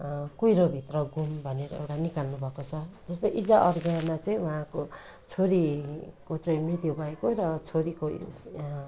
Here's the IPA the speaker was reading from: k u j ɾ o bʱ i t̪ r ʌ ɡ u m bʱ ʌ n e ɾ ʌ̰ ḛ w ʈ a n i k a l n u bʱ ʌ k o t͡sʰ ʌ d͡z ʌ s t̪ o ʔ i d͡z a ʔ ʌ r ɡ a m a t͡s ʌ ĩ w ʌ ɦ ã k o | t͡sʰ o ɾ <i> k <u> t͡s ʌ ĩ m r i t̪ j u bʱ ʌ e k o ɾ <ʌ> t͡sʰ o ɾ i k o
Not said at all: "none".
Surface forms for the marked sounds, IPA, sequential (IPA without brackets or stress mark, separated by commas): i, o, ʌ